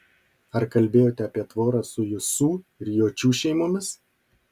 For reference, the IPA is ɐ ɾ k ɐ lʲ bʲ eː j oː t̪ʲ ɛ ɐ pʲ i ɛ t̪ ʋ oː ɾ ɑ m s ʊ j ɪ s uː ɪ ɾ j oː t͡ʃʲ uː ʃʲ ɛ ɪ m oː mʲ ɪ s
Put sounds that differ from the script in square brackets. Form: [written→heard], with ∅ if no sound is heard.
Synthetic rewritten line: ɐ ɾ k ɐ lʲ bʲ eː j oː t̪ʲ ɛ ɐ pʲ i ɛ t̪ ʋ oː ɾ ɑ [m→∅] s ʊ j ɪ s uː ɪ ɾ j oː t͡ʃʲ uː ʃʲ ɛ ɪ m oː mʲ ɪ s